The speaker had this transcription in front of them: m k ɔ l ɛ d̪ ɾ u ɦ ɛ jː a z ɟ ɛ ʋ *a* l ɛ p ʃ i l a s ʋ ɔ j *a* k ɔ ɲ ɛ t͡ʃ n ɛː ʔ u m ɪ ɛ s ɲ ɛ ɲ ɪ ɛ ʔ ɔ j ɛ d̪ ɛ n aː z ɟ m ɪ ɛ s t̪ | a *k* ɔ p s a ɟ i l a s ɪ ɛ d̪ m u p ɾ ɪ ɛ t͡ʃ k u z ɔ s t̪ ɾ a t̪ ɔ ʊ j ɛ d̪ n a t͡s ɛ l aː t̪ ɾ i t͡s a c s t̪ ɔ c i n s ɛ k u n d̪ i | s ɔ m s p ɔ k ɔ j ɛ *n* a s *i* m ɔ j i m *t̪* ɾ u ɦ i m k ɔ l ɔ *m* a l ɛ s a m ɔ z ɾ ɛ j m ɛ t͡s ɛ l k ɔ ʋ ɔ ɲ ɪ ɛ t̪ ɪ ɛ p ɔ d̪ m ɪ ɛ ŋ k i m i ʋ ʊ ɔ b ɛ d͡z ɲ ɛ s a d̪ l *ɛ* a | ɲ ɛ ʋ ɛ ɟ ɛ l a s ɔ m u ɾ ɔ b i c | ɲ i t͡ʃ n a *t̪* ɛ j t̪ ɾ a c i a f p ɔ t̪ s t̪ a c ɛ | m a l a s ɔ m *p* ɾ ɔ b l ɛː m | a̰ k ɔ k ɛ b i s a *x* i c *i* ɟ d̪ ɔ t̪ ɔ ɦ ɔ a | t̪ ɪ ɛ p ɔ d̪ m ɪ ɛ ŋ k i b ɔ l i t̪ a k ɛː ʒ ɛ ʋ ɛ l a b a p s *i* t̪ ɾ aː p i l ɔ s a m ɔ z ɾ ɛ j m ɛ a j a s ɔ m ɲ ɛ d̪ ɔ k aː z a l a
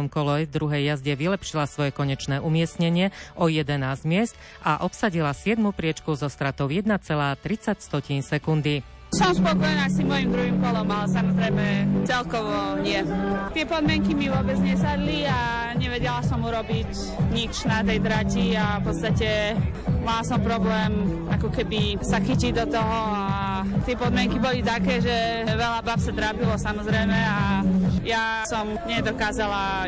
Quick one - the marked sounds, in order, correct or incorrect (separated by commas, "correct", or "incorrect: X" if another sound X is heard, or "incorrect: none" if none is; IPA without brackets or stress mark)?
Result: incorrect: i, incorrect: ɛ, incorrect: ʔ, correct, correct, incorrect: d̪, correct, incorrect: i, correct, correct, correct, correct, incorrect: a